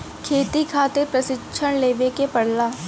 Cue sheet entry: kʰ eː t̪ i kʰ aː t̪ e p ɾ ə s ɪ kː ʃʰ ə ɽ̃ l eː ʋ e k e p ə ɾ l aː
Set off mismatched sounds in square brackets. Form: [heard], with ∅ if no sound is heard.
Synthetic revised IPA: kʰ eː t̪ i kʰ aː t̪ e p ɾ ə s ɪ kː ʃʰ ə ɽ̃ l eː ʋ e k e p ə [ɽ] l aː